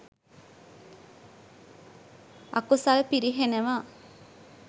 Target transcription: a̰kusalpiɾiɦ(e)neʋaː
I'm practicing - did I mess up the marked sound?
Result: no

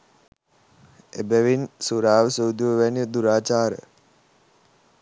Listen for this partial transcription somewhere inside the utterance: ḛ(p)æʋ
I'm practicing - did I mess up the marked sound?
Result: yes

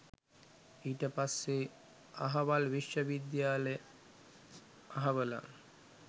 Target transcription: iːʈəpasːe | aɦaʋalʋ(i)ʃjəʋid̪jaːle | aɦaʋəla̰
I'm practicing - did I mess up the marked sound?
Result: no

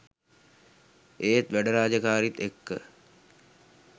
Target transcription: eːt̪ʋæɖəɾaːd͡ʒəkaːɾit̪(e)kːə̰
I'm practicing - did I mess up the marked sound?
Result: no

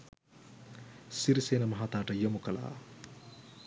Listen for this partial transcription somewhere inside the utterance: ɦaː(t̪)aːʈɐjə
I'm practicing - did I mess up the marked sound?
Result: no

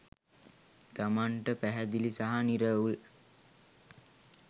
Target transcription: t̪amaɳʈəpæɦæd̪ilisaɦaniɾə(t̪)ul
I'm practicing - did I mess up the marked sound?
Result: yes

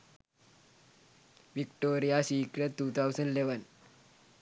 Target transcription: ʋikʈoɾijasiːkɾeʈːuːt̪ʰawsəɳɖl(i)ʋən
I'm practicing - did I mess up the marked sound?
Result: yes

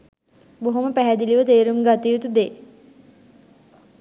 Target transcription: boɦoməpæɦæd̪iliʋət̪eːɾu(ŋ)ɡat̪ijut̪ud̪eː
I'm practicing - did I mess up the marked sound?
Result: yes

